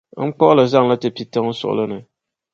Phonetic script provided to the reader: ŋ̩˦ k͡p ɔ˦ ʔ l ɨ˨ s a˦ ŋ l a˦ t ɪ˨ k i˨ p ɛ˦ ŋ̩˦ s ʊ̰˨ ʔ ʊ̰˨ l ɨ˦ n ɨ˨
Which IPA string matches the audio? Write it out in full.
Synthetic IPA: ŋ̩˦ k͡p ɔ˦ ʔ l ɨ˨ z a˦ ŋ l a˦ t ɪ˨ p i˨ t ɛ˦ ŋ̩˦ s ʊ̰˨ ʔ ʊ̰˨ l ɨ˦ n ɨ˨